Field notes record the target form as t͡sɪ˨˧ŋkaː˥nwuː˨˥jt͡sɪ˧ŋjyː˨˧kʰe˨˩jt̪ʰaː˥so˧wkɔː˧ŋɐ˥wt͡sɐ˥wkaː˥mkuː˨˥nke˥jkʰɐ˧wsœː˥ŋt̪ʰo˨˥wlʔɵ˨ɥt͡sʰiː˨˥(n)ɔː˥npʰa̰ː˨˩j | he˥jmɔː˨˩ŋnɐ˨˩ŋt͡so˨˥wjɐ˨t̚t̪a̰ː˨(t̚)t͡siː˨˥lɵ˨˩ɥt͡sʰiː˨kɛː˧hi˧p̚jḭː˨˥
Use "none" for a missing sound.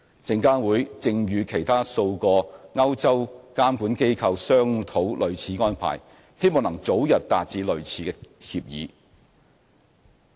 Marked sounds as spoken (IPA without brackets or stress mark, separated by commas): ŋ, t̚